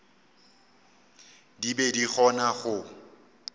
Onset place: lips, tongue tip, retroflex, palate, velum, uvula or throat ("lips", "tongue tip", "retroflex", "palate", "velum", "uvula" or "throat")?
tongue tip